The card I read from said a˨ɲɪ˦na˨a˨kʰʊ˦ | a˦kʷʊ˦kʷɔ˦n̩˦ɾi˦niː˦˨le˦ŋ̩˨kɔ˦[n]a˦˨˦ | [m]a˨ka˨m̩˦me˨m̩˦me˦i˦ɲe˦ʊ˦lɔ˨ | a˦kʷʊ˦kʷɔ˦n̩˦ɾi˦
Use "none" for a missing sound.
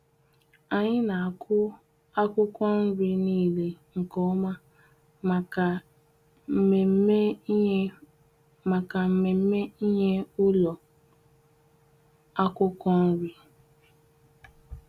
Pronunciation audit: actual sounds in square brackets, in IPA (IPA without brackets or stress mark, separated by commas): m, m